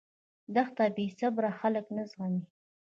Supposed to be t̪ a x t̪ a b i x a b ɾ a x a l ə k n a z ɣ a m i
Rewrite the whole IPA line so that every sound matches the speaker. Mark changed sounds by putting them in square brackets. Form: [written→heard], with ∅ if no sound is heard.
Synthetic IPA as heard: [t̪→d̪] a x t̪ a b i [x→s] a b ɾ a x a l ə k n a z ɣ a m i